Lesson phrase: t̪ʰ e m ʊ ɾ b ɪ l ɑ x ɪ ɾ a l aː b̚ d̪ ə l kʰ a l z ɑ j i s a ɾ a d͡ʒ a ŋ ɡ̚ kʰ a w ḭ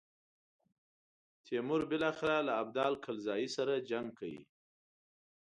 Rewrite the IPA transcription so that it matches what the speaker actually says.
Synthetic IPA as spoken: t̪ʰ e m ʊ ɾ b ɪ l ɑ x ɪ ɾ a l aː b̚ d̪ ɑ l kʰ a l z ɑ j i s a ɾ a d͡ʒ a ŋ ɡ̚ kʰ a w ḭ